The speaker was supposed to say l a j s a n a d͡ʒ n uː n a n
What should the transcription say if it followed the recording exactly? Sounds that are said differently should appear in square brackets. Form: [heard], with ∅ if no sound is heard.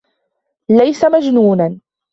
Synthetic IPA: l a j s a [m] a d͡ʒ n uː n a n